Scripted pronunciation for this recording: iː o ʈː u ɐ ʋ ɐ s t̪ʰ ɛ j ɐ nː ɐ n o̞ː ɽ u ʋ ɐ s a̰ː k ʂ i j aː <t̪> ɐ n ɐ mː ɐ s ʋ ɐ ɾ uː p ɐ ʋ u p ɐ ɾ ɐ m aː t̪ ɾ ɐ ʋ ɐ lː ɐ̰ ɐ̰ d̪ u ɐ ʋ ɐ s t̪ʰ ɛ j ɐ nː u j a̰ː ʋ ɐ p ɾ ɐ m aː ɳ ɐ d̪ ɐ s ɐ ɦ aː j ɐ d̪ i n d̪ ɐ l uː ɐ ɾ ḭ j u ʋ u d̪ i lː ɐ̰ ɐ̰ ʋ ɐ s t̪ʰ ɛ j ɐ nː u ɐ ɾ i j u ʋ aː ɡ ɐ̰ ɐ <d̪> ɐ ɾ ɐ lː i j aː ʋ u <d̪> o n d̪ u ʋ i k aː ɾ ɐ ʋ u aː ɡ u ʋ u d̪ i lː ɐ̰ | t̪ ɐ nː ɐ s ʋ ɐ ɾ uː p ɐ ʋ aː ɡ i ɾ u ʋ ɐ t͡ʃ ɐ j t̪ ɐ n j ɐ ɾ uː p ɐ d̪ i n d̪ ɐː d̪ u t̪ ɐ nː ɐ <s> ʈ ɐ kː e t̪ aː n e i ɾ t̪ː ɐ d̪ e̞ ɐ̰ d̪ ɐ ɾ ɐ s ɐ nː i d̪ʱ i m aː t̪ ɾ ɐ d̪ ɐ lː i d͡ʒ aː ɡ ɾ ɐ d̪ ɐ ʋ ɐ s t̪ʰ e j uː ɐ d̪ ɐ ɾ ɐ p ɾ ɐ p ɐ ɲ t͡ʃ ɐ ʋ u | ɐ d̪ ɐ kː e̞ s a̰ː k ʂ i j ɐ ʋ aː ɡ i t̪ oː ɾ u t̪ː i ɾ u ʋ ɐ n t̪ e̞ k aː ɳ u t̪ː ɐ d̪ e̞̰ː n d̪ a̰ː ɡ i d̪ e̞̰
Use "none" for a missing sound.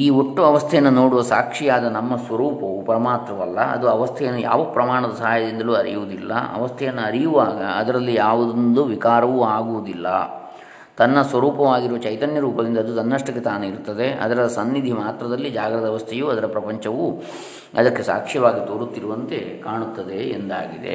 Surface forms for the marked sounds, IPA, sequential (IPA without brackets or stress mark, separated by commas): d̪, d̪, d̪, ʂ